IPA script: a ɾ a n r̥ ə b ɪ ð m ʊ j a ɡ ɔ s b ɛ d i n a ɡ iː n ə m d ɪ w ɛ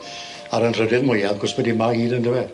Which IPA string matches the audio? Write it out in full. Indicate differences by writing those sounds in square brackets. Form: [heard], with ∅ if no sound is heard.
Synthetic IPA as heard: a ɾ [ə] n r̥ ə [d] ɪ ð m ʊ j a ɡ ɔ s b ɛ d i [m] a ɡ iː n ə [n] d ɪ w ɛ